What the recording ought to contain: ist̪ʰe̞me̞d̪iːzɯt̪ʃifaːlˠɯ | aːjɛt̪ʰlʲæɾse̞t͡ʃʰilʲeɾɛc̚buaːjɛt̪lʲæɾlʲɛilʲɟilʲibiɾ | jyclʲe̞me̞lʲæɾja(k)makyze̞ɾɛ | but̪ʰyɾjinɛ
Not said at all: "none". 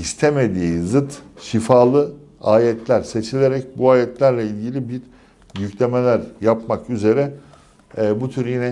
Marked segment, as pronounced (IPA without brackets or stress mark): p